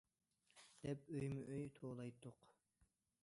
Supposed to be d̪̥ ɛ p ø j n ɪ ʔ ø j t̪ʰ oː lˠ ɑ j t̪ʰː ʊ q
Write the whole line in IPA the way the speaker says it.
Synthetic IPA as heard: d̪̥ ɛ p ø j m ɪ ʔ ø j t̪ʰ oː lˠ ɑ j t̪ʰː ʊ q

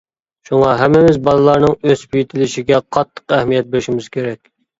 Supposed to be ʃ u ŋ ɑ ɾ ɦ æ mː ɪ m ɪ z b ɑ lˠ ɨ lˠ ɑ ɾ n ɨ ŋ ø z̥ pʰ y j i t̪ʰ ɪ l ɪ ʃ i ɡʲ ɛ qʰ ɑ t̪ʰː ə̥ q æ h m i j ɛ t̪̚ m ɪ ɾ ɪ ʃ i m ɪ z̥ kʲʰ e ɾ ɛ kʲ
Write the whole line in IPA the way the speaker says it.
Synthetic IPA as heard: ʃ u ŋ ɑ ɦ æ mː ɪ m ɪ z b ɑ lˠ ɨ lˠ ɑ ɾ n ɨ ŋ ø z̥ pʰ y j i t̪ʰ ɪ l ɪ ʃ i ɡʲ ɛ qʰ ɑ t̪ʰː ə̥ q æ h m i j ɛ t̪̚ b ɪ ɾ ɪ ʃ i m ɪ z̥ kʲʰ e ɾ ɛ kʲ

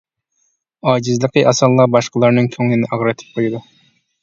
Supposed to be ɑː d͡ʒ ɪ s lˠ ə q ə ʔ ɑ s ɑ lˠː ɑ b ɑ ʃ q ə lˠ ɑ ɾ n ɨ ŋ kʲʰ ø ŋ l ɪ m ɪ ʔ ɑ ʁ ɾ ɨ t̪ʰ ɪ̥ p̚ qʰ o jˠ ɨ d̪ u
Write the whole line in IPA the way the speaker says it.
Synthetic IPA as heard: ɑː d͡ʒ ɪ z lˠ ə q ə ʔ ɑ s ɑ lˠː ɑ b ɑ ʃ q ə lˠ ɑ ɾ n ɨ ŋ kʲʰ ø ŋ l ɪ n ɪ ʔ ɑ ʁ ɾ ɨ t̪ʰ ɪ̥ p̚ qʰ o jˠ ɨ d̪ u

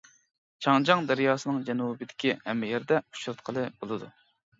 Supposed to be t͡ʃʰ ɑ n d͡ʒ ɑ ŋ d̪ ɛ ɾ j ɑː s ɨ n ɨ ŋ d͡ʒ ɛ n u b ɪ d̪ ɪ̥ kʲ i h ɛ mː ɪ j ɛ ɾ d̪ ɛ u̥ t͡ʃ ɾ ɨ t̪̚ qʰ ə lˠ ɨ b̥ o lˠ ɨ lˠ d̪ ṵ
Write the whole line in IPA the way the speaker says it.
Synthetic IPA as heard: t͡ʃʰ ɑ ŋ d͡ʒ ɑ ŋ d̪ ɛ ɾ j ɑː s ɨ n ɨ ŋ d͡ʒ ɛ n u b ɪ d̪ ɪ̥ kʲ i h ɛ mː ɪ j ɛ ɾ d̪ ɛ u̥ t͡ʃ ɾ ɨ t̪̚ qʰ ə lˠ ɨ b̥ o lˠ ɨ d̪ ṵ

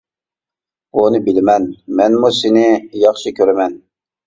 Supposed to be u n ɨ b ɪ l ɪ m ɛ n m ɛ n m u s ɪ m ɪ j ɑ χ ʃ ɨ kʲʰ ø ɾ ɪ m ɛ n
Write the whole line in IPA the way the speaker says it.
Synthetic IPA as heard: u n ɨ b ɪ l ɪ m ɛ n m ɛ n m u s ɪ n ɪ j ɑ χ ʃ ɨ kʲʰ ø ɾ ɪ m ɛ n

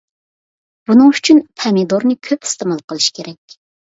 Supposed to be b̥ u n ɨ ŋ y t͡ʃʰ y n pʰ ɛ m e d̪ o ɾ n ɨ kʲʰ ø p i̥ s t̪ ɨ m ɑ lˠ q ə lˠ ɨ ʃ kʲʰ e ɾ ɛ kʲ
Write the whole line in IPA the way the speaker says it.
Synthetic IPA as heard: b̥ u n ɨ ŋ y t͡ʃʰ y n pʰ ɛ m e d̪ o ɾ n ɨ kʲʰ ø p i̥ s t̪ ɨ m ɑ lˠ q ə lˠ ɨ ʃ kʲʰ e ɾ ɛ kʲ

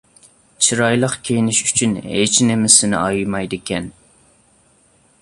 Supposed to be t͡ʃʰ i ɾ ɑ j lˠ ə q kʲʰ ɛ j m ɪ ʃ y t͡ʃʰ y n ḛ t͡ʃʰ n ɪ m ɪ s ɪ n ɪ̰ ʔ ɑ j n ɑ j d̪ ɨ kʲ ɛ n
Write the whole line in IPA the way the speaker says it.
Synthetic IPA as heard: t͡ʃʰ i ɾ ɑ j lˠ ə q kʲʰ e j n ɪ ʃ y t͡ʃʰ y n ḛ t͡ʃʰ n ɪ m ɪ s ɪ n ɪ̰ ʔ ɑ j m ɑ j d̪ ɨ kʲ ɛ n

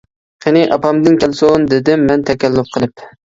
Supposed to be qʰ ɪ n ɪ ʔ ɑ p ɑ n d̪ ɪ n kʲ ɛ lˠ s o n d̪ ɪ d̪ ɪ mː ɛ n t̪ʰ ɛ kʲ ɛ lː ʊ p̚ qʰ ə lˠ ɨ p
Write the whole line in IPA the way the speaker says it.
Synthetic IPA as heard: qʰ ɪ n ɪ ʔ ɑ p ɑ m d̪ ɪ n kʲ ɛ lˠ s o n d̪ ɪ d̪ ɪ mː ɛ n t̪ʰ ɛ kʲ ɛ lː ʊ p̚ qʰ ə lˠ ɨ p

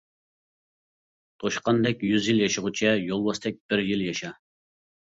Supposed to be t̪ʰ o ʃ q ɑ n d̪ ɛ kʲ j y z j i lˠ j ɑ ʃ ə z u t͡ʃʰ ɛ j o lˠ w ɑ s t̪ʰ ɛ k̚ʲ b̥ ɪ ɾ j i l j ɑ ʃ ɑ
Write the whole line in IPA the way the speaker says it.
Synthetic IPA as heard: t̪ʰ o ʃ q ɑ n d̪ ɛ kʲ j y z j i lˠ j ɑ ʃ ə ʁ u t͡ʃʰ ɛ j o lˠ w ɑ s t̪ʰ ɛ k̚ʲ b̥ ɪ ɾ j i l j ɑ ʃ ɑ

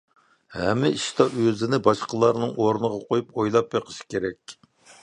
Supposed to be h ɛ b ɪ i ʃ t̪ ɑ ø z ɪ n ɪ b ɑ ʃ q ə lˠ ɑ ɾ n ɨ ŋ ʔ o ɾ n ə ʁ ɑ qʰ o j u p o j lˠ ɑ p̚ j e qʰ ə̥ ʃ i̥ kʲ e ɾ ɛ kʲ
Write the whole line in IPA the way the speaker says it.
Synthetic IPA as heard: h ɛ m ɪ i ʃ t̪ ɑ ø z ɪ n ɪ b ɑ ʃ q ə lˠ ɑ ɾ n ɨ ŋ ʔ o ɾ n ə ʁ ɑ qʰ o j u p o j lˠ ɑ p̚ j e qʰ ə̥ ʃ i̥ kʲ e ɾ ɛ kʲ

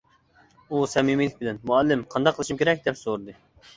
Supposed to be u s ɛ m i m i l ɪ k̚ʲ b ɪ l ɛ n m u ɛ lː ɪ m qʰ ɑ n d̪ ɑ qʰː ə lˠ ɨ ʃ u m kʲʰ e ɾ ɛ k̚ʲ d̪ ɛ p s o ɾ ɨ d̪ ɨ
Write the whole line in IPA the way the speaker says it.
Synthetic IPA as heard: u s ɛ m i m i l ɪ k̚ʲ b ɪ l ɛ n m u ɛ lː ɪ m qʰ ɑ n d̪ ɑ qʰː ə lˠ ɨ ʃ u m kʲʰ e ɾ ɛ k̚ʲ d̪ ɛ p s o ɾ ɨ d̪ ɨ

